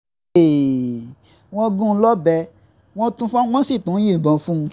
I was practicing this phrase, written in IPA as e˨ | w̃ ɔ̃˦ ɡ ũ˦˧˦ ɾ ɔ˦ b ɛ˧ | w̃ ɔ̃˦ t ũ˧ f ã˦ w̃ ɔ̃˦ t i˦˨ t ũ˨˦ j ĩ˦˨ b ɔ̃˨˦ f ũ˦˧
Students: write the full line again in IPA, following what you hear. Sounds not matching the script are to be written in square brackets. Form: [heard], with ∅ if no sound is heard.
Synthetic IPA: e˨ | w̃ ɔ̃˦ ɡ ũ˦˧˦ [l] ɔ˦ b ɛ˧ | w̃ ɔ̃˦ t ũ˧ f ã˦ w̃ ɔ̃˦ [s] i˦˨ t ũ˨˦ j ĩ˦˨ b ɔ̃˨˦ f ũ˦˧